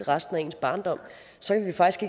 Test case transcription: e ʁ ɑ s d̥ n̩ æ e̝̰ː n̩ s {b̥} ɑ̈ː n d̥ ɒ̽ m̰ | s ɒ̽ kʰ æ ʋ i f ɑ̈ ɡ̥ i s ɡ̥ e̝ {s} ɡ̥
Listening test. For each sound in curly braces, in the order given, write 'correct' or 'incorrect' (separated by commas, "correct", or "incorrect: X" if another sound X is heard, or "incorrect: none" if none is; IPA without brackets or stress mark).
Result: correct, incorrect: none